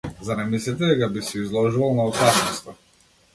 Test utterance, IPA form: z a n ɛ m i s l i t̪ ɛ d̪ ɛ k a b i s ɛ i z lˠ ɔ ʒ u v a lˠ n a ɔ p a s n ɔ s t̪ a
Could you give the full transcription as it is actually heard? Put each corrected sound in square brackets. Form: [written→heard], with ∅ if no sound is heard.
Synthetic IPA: z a n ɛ m i s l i t̪ ɛ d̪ ɛ k a b i s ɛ i z lˠ ɔ ʒ u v a lˠ n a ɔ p a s n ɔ s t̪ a